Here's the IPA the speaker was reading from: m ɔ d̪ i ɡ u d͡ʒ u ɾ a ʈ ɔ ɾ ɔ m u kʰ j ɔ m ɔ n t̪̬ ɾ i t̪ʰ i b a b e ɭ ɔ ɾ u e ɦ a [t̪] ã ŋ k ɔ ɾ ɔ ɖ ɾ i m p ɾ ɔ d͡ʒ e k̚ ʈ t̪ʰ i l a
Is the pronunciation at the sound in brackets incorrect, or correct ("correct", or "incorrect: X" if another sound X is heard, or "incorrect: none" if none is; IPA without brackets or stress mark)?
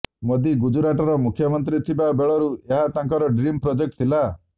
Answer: correct